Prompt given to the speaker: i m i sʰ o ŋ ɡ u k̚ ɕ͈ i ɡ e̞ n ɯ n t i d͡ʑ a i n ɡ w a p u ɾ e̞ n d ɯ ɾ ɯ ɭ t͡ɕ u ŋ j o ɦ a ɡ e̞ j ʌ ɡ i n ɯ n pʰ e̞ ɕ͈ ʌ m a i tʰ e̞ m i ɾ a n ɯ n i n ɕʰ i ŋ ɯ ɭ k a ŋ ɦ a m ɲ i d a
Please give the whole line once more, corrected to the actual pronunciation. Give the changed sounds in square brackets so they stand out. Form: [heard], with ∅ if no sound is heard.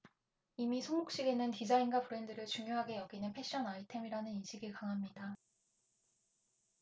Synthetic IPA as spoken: i m i sʰ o ŋ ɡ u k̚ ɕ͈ i ɡ e̞ n ɯ n t i d͡ʑ a i n ɡ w a p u ɾ e̞ n d ɯ ɾ ɯ ɭ t͡ɕ u ŋ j o ɦ a ɡ e̞ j ʌ ɡ i n ɯ n pʰ e̞ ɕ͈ ʌ [n] a i tʰ e̞ m i ɾ a n ɯ n i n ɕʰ i [ɡ] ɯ ɭ k a ŋ ɦ a m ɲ i d a

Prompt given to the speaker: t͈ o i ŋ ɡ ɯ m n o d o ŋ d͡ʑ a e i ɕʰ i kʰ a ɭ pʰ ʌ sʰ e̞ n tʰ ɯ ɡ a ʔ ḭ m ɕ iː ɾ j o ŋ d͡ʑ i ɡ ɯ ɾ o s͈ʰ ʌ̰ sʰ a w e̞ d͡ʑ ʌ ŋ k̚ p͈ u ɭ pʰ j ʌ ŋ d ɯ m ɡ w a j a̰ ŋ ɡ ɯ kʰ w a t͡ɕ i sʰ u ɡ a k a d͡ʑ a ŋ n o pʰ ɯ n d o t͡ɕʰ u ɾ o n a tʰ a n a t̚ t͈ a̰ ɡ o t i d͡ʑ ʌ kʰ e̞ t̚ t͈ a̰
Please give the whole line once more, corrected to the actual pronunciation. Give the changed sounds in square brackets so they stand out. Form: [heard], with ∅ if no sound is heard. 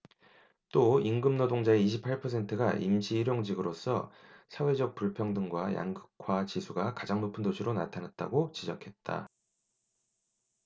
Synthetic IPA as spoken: t͈ o i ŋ ɡ ɯ m n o d o ŋ d͡ʑ a e i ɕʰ i [pʰ] a ɭ pʰ ʌ sʰ e̞ n tʰ ɯ ɡ a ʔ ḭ m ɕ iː ɾ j o ŋ d͡ʑ i ɡ ɯ ɾ o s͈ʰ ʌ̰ sʰ a w e̞ d͡ʑ ʌ [∅] k̚ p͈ u ɭ pʰ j ʌ ŋ d ɯ [ŋ] ɡ w a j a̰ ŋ ɡ ɯ kʰ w a t͡ɕ i sʰ u ɡ a k a d͡ʑ a ŋ n o pʰ ɯ n d o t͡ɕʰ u ɾ o n a tʰ a n a t̚ t͈ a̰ ɡ o [t͡ɕ] i d͡ʑ ʌ kʰ e̞ t̚ t͈ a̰

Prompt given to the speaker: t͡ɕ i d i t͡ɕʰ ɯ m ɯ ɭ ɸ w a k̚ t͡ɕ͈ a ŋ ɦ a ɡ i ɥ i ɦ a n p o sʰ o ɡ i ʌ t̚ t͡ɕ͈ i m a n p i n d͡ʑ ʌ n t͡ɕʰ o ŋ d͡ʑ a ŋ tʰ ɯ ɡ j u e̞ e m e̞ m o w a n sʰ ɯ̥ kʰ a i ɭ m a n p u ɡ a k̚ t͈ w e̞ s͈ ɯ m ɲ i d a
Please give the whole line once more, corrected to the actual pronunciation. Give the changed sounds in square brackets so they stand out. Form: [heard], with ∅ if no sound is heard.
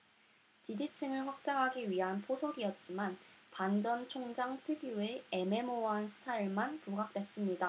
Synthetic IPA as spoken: t͡ɕ i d i t͡ɕʰ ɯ [ŋ] ɯ ɭ ɸ w a k̚ t͡ɕ͈ a ŋ ɦ a ɡ i ɥ i ɦ a n [pʰ] o sʰ o ɡ i ʌ t̚ t͡ɕ͈ i m a n p [a] n d͡ʑ ʌ n t͡ɕʰ o ŋ d͡ʑ a ŋ tʰ ɯ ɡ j u e̞ e m e̞ m o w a n sʰ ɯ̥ [tʰ] a i ɭ m a n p u ɡ a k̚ t͈ w e̞ s͈ ɯ m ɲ i d a

